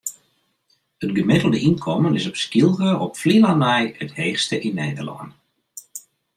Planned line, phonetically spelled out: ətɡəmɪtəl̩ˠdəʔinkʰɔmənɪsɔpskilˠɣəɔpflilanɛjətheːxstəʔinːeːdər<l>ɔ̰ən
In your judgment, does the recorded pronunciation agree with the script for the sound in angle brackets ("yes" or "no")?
yes